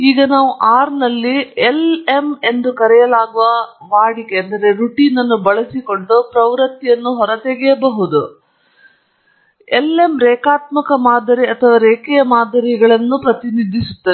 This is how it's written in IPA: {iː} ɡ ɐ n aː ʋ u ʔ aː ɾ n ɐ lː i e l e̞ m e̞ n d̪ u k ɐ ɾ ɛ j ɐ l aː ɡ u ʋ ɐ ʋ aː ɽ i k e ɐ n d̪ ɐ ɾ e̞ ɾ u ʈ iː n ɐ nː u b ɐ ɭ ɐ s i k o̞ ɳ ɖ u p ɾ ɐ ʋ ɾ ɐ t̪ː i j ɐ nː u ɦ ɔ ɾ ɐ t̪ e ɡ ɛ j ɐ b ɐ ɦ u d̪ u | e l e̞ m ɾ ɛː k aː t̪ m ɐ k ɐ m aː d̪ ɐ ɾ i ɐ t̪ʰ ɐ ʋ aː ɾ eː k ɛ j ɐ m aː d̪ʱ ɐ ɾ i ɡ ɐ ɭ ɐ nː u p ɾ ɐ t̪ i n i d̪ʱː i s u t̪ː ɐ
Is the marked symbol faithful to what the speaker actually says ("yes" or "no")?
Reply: yes